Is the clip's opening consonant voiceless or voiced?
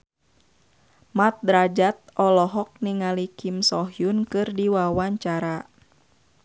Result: voiced